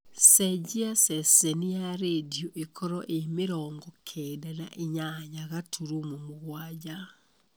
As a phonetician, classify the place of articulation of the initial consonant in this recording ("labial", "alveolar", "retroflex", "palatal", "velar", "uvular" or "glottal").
alveolar